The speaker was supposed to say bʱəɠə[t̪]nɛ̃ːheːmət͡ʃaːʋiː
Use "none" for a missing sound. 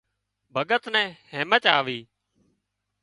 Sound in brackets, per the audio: t̪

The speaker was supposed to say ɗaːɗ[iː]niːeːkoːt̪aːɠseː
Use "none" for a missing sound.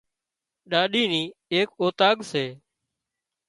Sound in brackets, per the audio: iː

